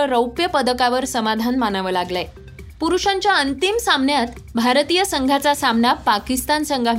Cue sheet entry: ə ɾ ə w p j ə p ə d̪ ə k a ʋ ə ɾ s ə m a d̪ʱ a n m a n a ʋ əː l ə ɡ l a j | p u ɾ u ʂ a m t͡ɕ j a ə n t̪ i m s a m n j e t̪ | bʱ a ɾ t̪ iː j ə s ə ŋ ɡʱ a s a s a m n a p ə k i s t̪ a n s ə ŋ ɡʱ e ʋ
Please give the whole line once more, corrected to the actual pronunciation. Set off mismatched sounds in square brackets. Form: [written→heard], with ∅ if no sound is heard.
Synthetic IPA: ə ɾ ə w p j ə p ə d̪ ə k a ʋ ə ɾ s ə m a d̪ʱ a n m a n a ʋ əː l [ə→a] ɡ l a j | p u ɾ u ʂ a [m→ɲ] t͡ɕ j a ə n t̪ i m s a m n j [e→a] t̪ | bʱ a ɾ t̪ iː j ə s ə ŋ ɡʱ a [s→t͡s] a s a m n a p [ə→a] k i s t̪ a n s ə ŋ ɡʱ [e→a] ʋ